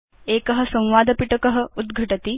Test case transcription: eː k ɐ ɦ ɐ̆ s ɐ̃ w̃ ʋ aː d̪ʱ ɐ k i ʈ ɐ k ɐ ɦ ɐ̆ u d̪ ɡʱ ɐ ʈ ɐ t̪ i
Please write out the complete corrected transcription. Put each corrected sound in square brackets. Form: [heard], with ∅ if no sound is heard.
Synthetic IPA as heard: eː k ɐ ɦ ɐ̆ s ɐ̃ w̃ ʋ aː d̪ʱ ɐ [p] i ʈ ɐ k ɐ ɦ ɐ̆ u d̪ ɡʱ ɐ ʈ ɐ t̪ i